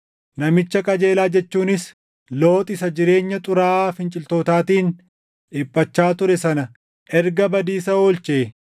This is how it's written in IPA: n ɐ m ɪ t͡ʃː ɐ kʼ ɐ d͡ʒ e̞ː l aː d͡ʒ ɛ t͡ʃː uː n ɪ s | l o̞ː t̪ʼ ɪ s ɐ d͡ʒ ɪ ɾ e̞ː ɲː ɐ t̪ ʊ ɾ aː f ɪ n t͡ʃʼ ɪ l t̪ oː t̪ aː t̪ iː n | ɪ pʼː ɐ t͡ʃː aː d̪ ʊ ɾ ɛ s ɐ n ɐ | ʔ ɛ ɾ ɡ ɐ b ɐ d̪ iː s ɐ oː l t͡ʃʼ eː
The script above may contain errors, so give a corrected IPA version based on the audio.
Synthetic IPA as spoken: n ɐ m ɪ t͡ʃː ɐ kʼ ɐ d͡ʒ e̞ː l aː d͡ʒ ɛ t͡ʃː uː n ɪ s | l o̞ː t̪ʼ ɪ s ɐ d͡ʒ ɪ ɾ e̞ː ɲː ɐ t̪ʼ ʊ ɾ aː f ɪ n t͡ʃʼ ɪ l t̪ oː t̪ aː t̪ iː n | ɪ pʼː ɐ t͡ʃː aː t̪ ʊ ɾ ɛ s ɐ n ɐ | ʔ ɛ ɾ ɡ ɐ b ɐ d̪ iː s ɐ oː l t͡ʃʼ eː